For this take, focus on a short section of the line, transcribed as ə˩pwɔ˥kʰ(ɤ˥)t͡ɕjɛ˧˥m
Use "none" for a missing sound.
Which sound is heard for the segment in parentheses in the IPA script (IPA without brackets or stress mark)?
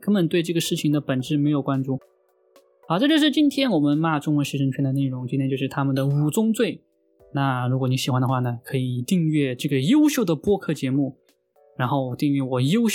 ɤ˥˩